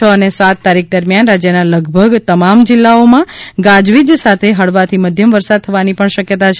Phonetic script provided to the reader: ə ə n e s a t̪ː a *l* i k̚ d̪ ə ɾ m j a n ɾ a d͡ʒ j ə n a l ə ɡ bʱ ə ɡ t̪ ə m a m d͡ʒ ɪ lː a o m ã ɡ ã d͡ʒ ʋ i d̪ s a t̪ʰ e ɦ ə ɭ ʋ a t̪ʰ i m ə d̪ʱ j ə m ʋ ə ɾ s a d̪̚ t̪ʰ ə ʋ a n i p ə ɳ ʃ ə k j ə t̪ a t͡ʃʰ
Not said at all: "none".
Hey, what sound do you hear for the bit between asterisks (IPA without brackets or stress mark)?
ɾ